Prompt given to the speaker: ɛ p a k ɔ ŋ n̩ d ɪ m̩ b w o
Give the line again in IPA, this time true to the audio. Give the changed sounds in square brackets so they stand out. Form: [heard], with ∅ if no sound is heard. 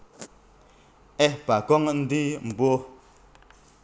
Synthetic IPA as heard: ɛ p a k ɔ ŋ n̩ d [i] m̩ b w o

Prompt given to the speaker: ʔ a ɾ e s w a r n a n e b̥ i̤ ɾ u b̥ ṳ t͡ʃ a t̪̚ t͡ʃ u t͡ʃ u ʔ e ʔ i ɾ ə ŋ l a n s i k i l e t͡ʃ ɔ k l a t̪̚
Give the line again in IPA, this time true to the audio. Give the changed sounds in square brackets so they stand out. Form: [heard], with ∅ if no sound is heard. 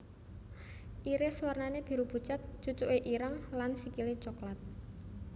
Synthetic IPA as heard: ʔ [i] ɾ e s w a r n a n e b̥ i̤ ɾ u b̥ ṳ t͡ʃ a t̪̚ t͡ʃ u t͡ʃ u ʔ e ʔ i ɾ ə ŋ l a n s i k i l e t͡ʃ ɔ k l a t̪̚

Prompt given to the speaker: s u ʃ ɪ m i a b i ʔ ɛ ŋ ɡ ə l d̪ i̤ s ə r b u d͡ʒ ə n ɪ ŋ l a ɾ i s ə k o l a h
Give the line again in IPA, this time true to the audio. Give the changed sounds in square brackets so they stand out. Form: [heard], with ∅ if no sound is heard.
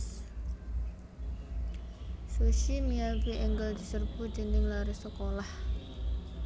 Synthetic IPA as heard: s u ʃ [i] m i a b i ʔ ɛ ŋ ɡ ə l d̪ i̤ s ə r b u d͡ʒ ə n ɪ ŋ l a ɾ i s ə k o l a h

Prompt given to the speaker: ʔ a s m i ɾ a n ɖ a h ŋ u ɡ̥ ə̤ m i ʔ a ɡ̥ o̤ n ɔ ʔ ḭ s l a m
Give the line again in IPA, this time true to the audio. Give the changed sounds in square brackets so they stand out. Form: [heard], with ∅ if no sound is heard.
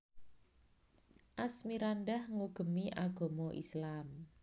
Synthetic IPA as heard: ʔ a s m i ɾ a n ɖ a h ŋ u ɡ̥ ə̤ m i ʔ a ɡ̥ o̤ [m] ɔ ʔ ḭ s l a m

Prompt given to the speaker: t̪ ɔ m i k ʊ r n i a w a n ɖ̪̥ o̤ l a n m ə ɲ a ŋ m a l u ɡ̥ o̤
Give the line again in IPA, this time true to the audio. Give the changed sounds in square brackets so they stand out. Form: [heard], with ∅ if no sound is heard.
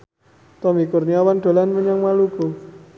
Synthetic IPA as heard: t̪ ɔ m i k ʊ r n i a w a n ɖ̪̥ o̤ l a n m ə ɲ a ŋ m a l u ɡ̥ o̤

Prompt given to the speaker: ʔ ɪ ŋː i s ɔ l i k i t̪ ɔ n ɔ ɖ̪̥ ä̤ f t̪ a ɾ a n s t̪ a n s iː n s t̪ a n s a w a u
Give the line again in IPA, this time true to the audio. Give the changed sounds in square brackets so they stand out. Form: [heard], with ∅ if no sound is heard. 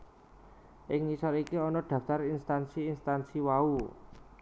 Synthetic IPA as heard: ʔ ɪ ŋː i s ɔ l i k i [∅] ɔ n ɔ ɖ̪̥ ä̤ f t̪ a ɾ [i] n s t̪ a n s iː n s t̪ a n s [i] w a u

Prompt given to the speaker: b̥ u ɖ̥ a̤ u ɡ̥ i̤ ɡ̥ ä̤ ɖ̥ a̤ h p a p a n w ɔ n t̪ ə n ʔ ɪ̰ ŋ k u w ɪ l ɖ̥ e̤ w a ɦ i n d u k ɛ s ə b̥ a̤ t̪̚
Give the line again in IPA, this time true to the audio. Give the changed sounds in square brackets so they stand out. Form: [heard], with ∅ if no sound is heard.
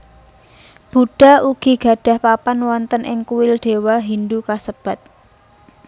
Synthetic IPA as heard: b̥ u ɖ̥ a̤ u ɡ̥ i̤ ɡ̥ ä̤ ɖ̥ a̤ h p a p a n w ɔ n t̪ ə n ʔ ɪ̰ ŋ k u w ɪ l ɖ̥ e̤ w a ɦ i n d u k [a] s ə b̥ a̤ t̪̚

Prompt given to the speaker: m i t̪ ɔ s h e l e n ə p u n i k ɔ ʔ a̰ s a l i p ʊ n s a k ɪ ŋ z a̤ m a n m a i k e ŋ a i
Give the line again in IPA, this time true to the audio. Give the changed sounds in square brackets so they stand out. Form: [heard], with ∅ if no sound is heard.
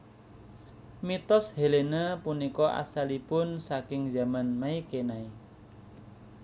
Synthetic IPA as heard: m i t̪ ɔ s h e l e n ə p u n i k ɔ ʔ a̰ s a l i p ʊ n s a k ɪ ŋ z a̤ m a n m a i k e [n] a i

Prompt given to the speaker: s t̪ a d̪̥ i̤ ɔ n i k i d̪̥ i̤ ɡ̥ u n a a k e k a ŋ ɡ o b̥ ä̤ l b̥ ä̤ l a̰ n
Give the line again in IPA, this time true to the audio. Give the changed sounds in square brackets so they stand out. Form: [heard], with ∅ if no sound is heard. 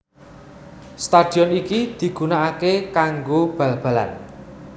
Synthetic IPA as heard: s t̪ a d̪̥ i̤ ɔ n i k i d̪̥ i̤ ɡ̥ u n a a k e k a ŋ ɡ o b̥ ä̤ l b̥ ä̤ l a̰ n

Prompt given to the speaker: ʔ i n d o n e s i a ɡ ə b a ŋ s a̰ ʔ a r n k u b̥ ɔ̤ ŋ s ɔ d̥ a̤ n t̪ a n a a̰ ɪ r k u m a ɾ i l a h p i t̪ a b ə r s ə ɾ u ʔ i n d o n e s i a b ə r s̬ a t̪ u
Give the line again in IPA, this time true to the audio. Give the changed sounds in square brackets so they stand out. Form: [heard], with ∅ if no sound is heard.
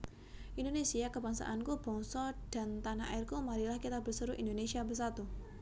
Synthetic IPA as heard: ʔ i n d o n e s i a [k] ə b a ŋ s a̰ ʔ a [∅] n k u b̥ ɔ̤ ŋ s ɔ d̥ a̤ n t̪ a n a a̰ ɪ r k u m a ɾ i l a h [k] i t̪ a b ə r s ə ɾ u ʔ i n d o n e s i a b ə r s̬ a t̪ u

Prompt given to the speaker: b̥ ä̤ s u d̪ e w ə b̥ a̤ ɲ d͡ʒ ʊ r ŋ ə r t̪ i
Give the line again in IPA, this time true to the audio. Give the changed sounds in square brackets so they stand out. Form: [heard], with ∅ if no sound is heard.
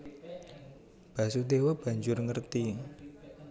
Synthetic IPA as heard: b̥ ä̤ s u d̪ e w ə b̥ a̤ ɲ d͡ʒ ʊ r ŋ ə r t̪ i

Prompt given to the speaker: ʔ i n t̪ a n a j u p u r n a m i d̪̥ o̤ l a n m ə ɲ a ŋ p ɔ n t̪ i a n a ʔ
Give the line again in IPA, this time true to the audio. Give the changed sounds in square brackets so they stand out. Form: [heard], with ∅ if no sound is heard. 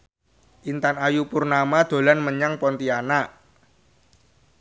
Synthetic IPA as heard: ʔ i n t̪ a n a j u p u r n a m [a] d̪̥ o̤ l a n m ə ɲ a ŋ p ɔ n t̪ i a n a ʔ

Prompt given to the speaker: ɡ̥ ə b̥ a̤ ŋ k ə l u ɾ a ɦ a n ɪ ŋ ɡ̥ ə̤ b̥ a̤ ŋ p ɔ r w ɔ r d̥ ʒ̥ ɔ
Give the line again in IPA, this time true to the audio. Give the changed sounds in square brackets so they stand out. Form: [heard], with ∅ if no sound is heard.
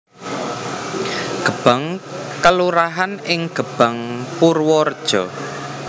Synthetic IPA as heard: ɡ̥ ə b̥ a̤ ŋ k ə l u ɾ a ɦ a n ɪ ŋ ɡ̥ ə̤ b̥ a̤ ŋ p [u] r w ɔ r d̥ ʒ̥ ɔ

